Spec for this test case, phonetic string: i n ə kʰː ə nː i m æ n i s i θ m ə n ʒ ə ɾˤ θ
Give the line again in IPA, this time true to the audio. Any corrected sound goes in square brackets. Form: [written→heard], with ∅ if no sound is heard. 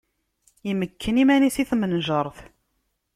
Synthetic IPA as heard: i [n→m] ə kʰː ə [nː→n] i m æ n i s i θ m ə n ʒ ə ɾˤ θ